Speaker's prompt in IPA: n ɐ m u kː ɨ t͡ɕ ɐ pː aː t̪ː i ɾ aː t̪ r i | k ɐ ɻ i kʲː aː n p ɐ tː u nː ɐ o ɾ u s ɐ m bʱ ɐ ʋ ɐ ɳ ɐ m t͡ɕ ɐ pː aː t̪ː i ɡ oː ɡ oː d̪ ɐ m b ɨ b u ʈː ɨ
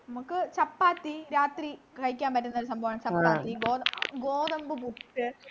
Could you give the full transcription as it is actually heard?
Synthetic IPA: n ɐ m u kː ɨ t͡ɕ ɐ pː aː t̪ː i ɾ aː t̪ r i | k ɐ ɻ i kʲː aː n p ɐ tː u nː ɐ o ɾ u s ɐ m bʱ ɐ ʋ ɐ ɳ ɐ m t͡ɕ ɐ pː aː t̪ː i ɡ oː ɡ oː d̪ ɐ m b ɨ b u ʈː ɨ